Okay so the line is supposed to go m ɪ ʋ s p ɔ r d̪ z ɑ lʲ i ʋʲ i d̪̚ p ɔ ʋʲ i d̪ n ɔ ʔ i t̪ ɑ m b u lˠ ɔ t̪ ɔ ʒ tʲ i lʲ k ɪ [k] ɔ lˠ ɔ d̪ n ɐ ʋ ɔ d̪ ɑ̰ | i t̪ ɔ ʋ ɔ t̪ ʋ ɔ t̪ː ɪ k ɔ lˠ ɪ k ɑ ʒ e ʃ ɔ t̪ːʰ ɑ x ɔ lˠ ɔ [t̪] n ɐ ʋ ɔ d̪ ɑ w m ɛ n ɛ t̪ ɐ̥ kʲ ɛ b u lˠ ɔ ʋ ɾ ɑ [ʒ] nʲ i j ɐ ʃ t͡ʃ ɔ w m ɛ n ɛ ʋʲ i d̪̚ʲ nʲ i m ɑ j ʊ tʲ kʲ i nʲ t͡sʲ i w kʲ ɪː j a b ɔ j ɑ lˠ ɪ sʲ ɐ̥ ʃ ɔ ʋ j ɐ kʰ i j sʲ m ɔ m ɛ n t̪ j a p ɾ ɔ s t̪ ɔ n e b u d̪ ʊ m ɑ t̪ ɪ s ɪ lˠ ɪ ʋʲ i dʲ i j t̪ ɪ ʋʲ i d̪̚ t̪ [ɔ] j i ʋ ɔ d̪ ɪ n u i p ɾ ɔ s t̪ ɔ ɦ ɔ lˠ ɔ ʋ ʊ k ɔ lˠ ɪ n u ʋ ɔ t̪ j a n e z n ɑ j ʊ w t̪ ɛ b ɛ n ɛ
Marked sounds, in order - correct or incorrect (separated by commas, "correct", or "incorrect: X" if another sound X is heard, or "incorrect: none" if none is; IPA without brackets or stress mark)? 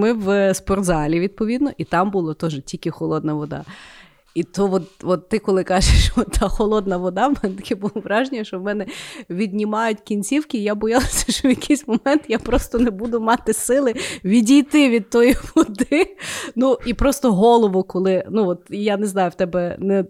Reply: incorrect: x, incorrect: d̪, correct, correct